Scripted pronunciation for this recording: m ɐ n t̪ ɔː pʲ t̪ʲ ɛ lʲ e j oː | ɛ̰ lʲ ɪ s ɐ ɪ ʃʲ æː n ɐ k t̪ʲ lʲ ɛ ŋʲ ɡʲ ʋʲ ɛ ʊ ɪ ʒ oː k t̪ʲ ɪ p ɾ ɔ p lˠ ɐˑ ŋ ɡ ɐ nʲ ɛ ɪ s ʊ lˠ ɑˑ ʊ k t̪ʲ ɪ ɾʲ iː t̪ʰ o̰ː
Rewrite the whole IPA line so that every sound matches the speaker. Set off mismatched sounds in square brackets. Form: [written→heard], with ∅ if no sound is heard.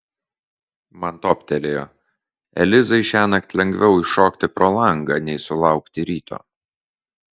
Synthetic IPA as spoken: m ɐ n t̪ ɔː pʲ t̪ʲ ɛ lʲ e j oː | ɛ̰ lʲ ɪ [s→z] ɐ ɪ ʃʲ æː n ɐ k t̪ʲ lʲ ɛ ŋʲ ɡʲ ʋʲ ɛ ʊ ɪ [ʒ→ʃ] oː k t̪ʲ ɪ p ɾ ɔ [p→∅] lˠ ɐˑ ŋ ɡ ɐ nʲ ɛ ɪ s ʊ lˠ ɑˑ ʊ k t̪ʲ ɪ ɾʲ iː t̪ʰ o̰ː